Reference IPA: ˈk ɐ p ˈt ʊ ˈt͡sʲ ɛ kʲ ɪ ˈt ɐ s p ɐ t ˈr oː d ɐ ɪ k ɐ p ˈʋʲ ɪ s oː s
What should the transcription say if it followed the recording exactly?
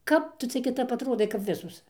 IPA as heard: ˈk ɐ p ˈt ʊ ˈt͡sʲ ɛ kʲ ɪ ˈt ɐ p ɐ t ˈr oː d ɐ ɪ k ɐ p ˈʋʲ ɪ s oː s